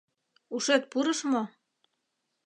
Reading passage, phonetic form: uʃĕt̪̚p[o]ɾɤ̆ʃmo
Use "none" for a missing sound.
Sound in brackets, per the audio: u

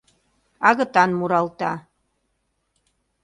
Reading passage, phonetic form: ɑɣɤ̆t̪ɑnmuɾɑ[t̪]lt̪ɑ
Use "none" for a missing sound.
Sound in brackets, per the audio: none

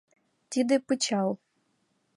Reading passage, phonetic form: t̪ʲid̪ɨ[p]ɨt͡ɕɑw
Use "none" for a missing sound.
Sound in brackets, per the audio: p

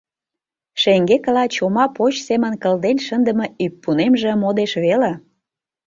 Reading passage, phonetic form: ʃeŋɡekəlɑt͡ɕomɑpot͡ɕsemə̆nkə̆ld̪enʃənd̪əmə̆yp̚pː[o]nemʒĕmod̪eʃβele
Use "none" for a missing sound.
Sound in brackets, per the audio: u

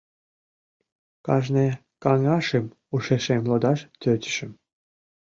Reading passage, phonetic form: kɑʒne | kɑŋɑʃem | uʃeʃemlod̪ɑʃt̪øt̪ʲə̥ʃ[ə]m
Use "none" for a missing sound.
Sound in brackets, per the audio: ə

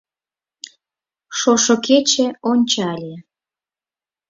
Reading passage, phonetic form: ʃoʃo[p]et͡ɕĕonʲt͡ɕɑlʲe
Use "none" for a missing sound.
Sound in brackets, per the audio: k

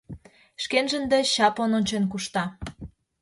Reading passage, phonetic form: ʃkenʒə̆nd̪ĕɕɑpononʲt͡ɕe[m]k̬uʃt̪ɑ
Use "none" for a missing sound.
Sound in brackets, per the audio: n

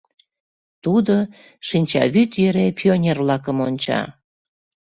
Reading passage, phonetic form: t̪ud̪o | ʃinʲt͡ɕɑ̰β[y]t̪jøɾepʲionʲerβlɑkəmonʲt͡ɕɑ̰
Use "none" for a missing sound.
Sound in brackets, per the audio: y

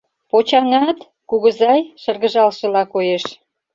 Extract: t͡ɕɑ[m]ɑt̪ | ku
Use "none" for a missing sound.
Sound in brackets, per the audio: ŋ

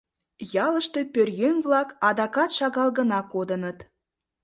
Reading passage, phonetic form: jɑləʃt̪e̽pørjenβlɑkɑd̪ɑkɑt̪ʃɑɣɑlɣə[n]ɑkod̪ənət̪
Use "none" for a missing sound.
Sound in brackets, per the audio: n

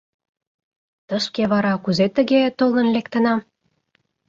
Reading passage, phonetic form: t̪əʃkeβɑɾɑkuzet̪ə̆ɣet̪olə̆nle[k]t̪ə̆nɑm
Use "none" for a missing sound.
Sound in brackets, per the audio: k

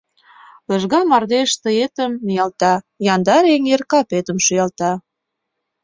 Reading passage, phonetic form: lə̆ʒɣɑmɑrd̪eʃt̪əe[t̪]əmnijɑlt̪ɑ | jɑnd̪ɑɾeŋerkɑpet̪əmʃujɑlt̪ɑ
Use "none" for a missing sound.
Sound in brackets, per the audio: t̪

